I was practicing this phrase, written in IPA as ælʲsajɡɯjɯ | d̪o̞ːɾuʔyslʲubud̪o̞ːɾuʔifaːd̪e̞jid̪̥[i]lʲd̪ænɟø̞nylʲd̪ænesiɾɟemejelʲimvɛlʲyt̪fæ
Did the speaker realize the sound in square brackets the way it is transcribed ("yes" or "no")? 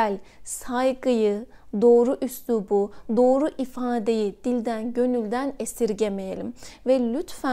yes